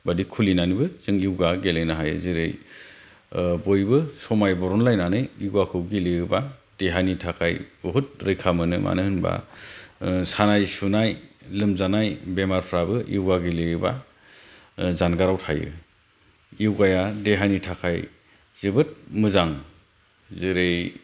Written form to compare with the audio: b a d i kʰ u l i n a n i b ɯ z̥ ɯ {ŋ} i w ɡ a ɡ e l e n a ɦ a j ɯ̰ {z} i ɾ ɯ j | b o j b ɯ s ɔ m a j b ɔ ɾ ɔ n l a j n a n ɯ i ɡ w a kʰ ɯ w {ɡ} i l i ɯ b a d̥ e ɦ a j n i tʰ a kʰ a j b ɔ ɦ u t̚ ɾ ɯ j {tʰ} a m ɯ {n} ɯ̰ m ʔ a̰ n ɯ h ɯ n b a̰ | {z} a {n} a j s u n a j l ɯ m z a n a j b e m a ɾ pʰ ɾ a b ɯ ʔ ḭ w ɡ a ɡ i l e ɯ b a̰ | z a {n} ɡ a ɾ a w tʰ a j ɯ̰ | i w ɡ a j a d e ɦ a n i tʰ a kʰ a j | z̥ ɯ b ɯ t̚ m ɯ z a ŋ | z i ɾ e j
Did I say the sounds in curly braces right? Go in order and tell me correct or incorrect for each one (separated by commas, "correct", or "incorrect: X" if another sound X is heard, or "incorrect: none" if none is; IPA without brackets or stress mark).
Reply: correct, correct, correct, incorrect: kʰ, correct, incorrect: s, correct, correct